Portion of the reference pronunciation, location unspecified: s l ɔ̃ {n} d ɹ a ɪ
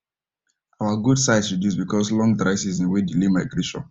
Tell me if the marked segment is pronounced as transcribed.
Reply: no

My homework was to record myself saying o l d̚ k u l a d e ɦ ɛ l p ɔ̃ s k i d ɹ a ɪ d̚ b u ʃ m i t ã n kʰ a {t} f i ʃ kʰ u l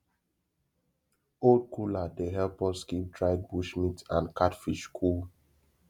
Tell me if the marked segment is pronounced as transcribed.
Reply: yes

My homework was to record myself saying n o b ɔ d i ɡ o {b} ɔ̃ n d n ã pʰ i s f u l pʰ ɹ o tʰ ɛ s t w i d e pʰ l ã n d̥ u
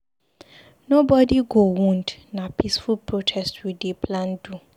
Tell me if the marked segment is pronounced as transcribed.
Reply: no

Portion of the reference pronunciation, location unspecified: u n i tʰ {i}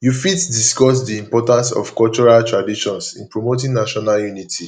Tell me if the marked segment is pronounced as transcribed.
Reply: yes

